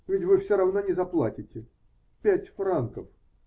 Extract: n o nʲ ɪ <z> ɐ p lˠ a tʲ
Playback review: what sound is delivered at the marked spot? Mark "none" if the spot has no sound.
z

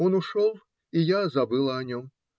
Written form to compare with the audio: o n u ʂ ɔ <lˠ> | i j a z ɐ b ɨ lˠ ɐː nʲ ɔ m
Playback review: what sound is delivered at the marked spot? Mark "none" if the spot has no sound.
lˠ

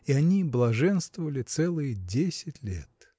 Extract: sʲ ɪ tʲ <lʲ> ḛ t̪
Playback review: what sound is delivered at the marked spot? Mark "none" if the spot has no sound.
lʲ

